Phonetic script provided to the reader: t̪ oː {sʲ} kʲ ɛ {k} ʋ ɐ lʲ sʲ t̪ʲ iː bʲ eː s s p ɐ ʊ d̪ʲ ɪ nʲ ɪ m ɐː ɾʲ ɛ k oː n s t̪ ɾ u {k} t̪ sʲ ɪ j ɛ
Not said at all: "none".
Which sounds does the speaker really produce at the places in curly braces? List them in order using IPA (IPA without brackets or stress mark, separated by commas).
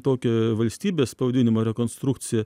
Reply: none, none, k